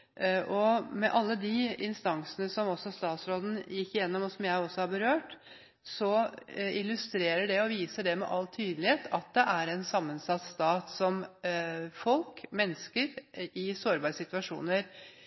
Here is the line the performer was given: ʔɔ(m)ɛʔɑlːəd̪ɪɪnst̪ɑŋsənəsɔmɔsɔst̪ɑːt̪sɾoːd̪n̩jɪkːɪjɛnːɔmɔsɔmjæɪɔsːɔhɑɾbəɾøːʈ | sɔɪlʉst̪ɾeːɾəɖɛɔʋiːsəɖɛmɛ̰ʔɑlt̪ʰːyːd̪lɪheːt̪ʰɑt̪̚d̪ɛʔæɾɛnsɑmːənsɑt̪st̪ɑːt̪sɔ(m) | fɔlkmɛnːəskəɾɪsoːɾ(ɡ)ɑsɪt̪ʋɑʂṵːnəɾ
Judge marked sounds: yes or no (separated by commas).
yes, yes, no